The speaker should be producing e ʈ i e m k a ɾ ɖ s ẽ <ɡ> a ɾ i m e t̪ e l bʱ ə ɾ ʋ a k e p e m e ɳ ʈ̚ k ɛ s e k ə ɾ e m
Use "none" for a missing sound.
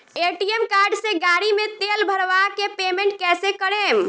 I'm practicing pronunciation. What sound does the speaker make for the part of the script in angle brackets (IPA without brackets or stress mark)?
ɡ